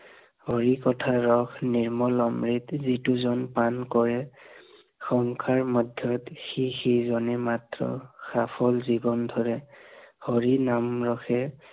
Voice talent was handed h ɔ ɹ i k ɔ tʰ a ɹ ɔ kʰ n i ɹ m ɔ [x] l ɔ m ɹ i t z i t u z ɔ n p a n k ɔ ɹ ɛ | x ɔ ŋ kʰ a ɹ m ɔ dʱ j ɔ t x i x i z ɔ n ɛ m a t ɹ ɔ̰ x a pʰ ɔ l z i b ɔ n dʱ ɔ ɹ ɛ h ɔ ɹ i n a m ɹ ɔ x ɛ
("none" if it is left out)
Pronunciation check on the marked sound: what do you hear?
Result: none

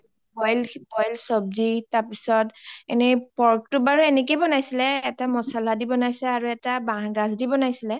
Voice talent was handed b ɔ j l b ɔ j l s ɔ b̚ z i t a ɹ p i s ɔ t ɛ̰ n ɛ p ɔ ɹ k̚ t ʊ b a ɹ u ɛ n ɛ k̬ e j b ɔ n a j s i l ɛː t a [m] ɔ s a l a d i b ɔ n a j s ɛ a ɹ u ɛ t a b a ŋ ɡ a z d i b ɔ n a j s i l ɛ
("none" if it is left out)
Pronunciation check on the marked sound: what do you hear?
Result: m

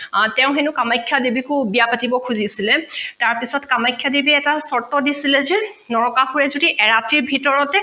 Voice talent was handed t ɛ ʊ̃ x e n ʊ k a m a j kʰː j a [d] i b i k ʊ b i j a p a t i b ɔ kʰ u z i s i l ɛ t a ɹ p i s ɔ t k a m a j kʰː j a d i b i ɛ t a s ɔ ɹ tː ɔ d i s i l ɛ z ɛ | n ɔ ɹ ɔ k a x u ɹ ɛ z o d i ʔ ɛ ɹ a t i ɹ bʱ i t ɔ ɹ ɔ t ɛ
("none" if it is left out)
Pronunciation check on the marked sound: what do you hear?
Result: d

